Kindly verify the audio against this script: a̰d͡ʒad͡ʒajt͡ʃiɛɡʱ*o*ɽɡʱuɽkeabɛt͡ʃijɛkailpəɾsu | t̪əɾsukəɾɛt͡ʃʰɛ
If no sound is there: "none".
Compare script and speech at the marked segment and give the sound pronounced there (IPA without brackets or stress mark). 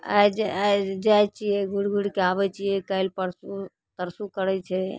u